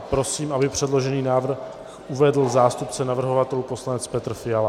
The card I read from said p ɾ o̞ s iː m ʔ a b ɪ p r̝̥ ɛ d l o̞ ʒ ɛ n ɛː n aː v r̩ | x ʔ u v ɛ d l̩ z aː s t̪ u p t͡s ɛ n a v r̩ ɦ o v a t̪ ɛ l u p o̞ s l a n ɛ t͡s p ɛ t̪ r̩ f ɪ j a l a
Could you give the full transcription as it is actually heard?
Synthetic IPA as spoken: p ɾ o̞ s iː m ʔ a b ɪ p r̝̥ ɛ d l o̞ ʒ ɛ n iː n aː v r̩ | x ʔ u v ɛ d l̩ z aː s t̪ u p t͡s ɛ n a v r̩ ɦ o v a t̪ ɛ l u p o̞ s l a n ɛ t͡s p ɛ t̪ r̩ f ɪ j a l a